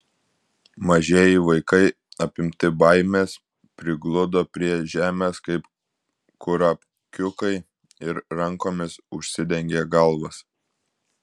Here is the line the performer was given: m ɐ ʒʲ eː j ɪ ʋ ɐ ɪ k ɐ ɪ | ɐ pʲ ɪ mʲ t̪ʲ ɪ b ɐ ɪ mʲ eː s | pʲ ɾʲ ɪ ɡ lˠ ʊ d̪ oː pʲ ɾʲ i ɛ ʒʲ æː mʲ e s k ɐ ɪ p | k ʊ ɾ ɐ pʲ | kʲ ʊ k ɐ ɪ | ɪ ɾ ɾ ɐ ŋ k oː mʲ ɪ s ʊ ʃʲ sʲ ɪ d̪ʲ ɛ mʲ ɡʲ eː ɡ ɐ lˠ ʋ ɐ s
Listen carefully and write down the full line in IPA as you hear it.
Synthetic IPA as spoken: m ɐ ʒʲ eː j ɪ ʋ ɐ ɪ k ɐ ɪ | ɐ pʲ ɪ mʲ t̪ʲ ɪ b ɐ ɪ mʲ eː s | pʲ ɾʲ ɪ ɡ lˠ ʊ d̪ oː pʲ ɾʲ i ɛ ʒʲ æː mʲ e s k ɐ ɪ p | k ʊ ɾ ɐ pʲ | kʲ ʊ k ɐ ɪ | ɪ ɾ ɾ ɐ ŋ k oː mʲ ɪ s ʊ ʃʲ sʲ ɪ d̪ʲ ɛ ŋʲ ɡʲ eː ɡ ɐ lˠ ʋ ɐ s